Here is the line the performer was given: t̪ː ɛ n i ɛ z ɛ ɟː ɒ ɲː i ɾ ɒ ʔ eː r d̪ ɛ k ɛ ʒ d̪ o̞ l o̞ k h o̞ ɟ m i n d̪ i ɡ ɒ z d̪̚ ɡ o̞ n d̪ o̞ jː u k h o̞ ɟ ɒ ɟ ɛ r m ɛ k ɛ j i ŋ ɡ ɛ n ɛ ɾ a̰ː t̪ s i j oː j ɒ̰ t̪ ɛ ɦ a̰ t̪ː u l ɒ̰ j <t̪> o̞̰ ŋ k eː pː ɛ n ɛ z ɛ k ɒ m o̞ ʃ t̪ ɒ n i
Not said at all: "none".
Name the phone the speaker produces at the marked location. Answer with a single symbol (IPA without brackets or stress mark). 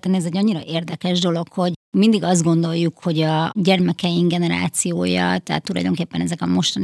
d̪